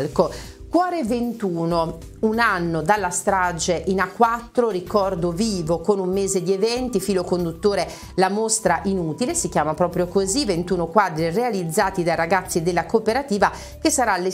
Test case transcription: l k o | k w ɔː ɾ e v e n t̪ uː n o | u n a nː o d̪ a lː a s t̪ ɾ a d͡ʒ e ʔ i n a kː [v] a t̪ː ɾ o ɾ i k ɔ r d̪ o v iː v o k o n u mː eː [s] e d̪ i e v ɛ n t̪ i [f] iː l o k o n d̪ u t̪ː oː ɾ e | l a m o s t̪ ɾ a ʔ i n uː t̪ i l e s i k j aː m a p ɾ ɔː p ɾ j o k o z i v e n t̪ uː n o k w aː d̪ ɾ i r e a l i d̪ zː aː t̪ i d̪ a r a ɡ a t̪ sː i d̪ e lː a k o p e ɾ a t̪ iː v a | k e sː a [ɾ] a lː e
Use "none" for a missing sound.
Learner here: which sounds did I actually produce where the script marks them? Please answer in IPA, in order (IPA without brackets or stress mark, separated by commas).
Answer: w, z, f, ɾ